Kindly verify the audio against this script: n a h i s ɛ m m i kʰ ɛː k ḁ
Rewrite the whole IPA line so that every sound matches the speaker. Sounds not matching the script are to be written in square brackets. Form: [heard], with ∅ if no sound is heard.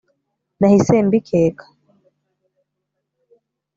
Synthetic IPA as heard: n a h i s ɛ m [b] i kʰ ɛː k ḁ